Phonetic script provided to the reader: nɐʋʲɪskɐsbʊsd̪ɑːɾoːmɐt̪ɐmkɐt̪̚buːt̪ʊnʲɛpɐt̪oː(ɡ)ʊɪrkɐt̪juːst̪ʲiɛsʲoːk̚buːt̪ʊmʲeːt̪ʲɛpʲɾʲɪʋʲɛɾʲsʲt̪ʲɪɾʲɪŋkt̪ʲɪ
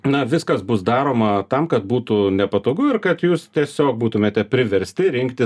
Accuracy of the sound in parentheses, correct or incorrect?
correct